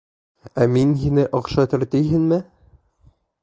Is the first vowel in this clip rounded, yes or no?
no